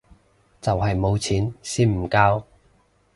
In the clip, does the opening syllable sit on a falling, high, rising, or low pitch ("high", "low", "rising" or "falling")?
low